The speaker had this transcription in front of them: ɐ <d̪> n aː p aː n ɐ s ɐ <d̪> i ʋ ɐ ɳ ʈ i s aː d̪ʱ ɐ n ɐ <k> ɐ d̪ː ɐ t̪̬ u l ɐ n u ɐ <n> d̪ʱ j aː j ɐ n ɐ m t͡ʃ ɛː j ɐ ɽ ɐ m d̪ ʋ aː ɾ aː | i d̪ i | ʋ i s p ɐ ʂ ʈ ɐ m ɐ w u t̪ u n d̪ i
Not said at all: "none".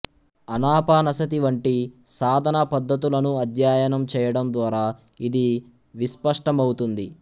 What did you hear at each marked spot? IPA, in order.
none, t̪, p, none

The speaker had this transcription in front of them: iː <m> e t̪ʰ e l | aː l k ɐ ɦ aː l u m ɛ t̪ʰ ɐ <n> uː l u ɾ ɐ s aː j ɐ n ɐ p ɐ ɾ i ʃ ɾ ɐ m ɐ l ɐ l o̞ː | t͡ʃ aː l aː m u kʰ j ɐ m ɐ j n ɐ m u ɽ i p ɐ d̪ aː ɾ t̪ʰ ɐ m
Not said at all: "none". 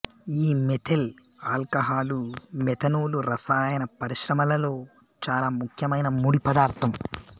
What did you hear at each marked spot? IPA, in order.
m, n

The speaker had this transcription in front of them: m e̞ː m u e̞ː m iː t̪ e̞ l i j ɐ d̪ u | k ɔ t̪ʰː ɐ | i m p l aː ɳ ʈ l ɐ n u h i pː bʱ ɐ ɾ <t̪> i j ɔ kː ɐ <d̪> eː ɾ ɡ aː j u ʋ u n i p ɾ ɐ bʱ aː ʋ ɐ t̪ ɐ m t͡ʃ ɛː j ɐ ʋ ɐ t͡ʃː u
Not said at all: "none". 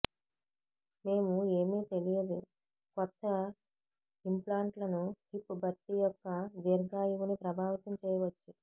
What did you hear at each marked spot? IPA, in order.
t̪, d̪

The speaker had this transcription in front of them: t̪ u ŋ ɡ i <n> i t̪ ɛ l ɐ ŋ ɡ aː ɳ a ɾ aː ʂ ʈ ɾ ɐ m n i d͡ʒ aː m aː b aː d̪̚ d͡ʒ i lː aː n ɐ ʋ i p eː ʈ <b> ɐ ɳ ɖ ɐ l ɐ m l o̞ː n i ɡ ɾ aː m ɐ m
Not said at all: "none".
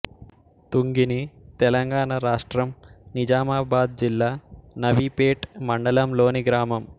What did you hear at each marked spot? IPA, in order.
n, m

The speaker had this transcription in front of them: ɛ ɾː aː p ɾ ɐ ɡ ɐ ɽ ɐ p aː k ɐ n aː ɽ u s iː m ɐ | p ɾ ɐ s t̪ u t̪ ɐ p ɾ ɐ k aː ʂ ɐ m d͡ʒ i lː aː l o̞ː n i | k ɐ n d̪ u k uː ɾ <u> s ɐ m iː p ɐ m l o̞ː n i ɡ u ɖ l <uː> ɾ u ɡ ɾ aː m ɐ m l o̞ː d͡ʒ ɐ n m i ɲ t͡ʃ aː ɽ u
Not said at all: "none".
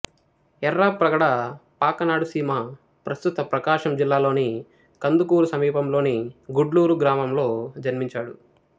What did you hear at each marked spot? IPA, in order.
u, uː

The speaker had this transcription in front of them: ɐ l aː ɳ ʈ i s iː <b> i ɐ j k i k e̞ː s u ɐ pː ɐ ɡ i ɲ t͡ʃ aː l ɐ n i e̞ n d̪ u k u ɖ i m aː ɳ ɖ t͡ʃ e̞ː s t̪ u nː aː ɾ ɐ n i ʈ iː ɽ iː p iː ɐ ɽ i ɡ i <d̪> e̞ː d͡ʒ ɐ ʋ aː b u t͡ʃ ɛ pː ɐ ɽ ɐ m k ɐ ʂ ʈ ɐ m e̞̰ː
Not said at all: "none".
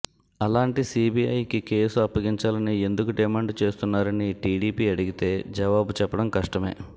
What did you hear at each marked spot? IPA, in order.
b, t̪

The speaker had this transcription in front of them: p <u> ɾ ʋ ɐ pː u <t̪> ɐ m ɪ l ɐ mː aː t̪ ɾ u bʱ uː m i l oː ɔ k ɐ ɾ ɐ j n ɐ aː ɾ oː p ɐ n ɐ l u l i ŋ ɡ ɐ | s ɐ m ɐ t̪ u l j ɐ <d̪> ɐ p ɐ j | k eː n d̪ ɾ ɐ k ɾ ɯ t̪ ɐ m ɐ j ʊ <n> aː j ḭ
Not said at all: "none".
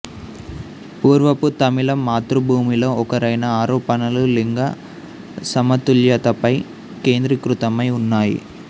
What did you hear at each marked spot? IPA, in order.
uː, t̪, t̪, nː

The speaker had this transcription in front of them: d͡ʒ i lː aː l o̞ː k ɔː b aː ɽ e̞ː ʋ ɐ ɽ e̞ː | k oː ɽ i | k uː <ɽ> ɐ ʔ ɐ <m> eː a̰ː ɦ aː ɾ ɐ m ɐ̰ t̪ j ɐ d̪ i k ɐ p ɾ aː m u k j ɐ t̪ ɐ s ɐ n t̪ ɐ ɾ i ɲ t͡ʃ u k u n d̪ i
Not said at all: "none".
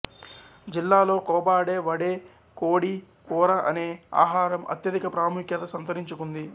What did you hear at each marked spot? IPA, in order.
ɾ, n

